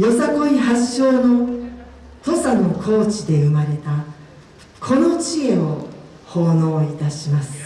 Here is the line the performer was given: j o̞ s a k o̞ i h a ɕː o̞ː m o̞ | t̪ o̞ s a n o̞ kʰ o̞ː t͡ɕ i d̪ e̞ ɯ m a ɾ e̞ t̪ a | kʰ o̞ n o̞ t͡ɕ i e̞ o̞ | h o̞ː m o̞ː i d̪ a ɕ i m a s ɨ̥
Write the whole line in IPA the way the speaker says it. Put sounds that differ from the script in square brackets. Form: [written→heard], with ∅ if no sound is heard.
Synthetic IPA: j o̞ s a k o̞ i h a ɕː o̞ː [m→n] o̞ | t̪ o̞ s a n o̞ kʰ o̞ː t͡ɕ i d̪ e̞ ɯ m a ɾ e̞ t̪ a | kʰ o̞ n o̞ t͡ɕ i e̞ o̞ | h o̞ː [m→n] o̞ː i [d̪→t̪] a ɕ i m a s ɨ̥